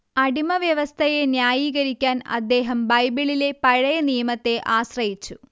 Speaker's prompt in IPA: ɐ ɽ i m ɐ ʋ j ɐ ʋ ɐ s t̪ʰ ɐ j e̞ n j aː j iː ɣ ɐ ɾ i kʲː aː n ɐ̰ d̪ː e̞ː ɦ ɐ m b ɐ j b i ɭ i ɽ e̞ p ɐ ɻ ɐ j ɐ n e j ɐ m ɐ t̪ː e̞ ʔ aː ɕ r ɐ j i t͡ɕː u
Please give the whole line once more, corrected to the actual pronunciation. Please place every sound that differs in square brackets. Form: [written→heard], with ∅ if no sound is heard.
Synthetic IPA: ɐ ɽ i m ɐ ʋ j ɐ ʋ ɐ s t̪ʰ ɐ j e̞ n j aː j iː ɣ ɐ ɾ i kʲː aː n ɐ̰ d̪ː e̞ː ɦ ɐ m b ɐ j b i ɭ i [ɽ→l] e̞ p ɐ ɻ ɐ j ɐ n [e→i] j ɐ m ɐ t̪ː e̞ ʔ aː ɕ r ɐ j i t͡ɕː u

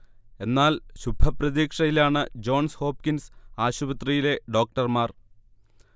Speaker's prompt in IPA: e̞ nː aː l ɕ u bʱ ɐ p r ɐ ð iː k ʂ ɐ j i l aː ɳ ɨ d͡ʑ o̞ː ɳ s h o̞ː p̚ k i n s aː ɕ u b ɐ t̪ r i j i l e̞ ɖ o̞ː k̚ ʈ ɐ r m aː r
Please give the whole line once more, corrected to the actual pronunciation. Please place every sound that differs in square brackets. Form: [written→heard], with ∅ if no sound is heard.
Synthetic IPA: e̞ nː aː l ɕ u bʱ ɐ p r ɐ ð iː k ʂ ɐ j i l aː ɳ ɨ d͡ʑ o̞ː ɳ s h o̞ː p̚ k i n s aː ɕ u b ɐ t̪ r i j i l e̞ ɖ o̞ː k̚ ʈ ɐ r m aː r

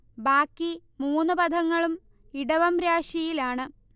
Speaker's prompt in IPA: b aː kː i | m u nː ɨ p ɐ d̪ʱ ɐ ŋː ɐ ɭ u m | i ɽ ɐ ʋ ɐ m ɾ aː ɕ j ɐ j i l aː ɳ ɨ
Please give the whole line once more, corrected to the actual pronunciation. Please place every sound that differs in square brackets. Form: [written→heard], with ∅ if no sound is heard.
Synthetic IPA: b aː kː i | m [u→uː] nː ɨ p ɐ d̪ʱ ɐ ŋː ɐ ɭ u m | i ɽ ɐ ʋ ɐ m ɾ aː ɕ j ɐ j i l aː ɳ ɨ

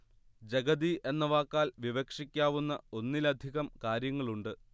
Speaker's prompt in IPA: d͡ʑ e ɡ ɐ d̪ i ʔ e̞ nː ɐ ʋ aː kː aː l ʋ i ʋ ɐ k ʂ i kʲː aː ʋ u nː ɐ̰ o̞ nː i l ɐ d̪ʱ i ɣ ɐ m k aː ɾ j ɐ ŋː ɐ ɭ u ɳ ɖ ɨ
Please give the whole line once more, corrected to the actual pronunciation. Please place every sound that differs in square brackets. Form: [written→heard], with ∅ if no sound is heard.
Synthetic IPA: d͡ʑ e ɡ ɐ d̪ i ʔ e̞ nː ɐ ʋ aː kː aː l ʋ i ʋ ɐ k ʂ i kʲː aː ʋ u nː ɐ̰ o̞ nː i l ɐ d̪ʱ i ɣ ɐ m k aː ɾ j ɐ ŋː ɐ ɭ u ɳ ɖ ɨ

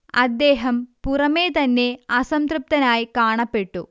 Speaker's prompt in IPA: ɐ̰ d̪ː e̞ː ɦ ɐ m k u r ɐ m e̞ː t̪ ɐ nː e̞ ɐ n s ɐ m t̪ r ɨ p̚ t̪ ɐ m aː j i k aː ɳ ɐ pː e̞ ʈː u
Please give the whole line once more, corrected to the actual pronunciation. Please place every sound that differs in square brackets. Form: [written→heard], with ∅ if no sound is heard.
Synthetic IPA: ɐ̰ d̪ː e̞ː ɦ ɐ m [k→p] u r ɐ m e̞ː t̪ ɐ nː e̞ ɐ [n→∅] s ɐ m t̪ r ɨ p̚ t̪ ɐ [m→n] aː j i k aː ɳ ɐ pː e̞ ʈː u

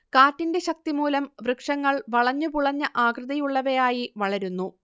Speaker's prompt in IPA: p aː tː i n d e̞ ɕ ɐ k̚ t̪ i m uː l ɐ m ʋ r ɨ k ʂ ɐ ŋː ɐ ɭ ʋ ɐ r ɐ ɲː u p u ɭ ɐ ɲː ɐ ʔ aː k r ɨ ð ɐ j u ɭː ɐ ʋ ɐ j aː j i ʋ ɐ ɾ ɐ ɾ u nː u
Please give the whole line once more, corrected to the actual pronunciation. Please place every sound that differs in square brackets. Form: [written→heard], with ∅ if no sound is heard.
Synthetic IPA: [p→k] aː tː i n d e̞ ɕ ɐ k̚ t̪ i m uː l ɐ m ʋ r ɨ k ʂ ɐ ŋː ɐ ɭ ʋ ɐ [r→ɭ] ɐ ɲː u p u ɭ ɐ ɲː ɐ ʔ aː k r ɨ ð ɐ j u ɭː ɐ ʋ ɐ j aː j i ʋ ɐ [ɾ→ɭ] ɐ ɾ u nː u

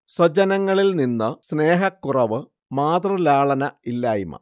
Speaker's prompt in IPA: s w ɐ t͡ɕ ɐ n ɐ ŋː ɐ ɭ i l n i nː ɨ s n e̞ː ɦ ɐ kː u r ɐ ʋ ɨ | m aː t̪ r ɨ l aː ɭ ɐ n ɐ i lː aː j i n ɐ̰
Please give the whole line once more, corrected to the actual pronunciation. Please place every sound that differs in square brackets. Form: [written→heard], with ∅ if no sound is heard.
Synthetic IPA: s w ɐ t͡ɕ ɐ n ɐ ŋː ɐ ɭ i l n i nː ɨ s n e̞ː ɦ ɐ kː u r ɐ ʋ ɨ | m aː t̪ r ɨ l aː ɭ ɐ n ɐ i lː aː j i [n→m] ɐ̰

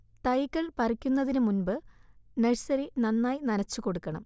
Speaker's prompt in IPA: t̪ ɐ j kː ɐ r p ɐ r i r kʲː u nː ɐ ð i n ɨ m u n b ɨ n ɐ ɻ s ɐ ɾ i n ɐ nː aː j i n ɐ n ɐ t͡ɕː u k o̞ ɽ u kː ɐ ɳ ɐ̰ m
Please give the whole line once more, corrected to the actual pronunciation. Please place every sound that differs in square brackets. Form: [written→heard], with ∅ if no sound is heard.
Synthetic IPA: t̪ ɐ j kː ɐ [r→ɭ] p ɐ r i [r→∅] kʲː u nː ɐ ð i n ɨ m u n b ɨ n ɐ ɻ s ɐ ɾ i n ɐ nː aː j i n ɐ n ɐ t͡ɕː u k o̞ ɽ u kː ɐ ɳ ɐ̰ m

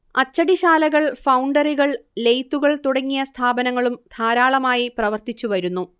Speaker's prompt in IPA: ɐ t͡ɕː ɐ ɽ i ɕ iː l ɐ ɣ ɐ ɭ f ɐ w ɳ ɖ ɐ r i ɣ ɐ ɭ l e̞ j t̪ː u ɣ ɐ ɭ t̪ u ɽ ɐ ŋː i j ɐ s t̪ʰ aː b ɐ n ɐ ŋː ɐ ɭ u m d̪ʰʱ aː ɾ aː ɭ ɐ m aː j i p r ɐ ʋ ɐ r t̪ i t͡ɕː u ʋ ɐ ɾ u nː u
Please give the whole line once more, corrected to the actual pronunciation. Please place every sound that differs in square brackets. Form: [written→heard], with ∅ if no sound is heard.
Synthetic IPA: ɐ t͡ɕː ɐ ɽ i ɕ [iː→aː] l ɐ ɣ ɐ ɭ f ɐ w ɳ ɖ ɐ r i ɣ ɐ ɭ l e̞ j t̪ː u ɣ ɐ ɭ t̪ u ɽ ɐ ŋː i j ɐ s t̪ʰ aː b ɐ n ɐ ŋː ɐ ɭ u m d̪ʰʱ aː ɾ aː ɭ ɐ m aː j i p r ɐ ʋ ɐ r t̪ i t͡ɕː u ʋ ɐ ɾ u nː u

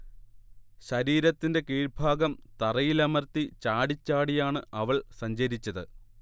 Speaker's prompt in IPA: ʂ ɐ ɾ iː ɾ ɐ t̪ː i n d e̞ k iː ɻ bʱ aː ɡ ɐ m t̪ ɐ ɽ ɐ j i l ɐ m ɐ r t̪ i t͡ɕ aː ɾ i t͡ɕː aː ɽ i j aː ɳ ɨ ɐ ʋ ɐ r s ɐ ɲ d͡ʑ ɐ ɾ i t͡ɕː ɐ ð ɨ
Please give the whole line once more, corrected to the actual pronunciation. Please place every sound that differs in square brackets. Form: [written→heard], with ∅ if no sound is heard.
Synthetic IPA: [ʂ→ɕ] ɐ ɾ iː ɾ ɐ t̪ː i n d e̞ k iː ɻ bʱ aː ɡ ɐ m t̪ ɐ [ɽ→r] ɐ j i l ɐ m ɐ r t̪ i t͡ɕ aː [ɾ→ɽ] i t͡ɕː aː ɽ i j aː ɳ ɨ ɐ ʋ ɐ [r→ɭ] s ɐ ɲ d͡ʑ ɐ ɾ i t͡ɕː ɐ ð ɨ

